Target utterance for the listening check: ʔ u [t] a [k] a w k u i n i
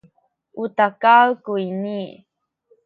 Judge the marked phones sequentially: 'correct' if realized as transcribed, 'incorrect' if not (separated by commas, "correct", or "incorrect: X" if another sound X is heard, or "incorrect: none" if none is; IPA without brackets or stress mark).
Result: correct, correct